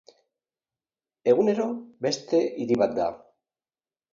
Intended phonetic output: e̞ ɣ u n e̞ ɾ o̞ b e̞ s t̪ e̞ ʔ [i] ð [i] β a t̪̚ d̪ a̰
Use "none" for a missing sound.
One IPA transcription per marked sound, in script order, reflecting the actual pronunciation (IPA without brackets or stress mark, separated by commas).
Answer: i, i